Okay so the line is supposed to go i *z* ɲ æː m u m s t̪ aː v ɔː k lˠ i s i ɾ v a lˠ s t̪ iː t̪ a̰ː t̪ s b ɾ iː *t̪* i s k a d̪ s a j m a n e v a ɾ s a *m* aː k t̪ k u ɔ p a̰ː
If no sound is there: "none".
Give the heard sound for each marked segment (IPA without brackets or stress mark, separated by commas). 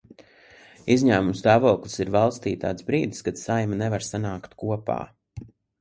z, d̪, n